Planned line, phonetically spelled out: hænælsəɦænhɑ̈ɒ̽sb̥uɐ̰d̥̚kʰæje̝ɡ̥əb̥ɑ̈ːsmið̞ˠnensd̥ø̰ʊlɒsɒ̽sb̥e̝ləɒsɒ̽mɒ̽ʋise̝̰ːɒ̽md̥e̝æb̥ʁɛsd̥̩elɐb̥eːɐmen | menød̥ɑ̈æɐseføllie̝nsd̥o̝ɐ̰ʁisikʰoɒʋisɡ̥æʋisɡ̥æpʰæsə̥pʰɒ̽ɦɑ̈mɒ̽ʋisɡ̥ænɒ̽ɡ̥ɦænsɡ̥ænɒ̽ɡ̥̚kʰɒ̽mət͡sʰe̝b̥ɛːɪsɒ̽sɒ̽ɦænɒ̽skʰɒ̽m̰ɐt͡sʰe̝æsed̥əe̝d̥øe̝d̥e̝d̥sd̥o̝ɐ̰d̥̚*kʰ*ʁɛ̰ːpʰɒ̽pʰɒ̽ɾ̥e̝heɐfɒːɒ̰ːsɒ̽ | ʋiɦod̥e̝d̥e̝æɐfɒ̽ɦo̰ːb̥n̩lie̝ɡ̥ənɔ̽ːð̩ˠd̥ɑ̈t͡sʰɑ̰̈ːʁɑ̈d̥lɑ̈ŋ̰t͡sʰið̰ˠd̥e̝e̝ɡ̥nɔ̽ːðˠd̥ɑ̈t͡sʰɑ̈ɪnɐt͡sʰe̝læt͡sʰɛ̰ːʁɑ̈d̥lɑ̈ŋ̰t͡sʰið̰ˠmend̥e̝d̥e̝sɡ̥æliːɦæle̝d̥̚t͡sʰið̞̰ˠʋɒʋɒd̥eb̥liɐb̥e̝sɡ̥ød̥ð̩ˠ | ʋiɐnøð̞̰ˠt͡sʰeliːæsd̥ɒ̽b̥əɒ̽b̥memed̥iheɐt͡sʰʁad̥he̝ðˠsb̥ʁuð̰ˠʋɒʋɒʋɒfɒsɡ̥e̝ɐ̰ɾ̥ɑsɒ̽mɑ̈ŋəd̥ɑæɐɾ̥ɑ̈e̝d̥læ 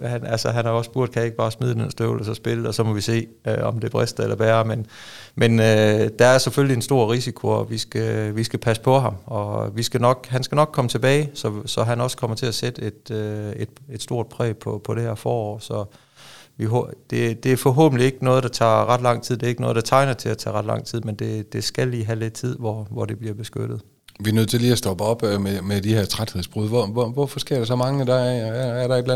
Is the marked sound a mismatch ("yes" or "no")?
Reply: yes